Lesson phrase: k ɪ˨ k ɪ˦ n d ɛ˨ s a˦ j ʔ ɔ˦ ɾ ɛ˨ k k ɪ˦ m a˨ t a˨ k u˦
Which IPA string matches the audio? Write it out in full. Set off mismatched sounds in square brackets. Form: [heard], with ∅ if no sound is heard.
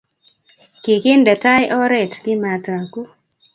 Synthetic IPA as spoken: k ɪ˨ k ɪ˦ n d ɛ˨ [t] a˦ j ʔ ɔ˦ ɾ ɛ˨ [t] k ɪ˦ m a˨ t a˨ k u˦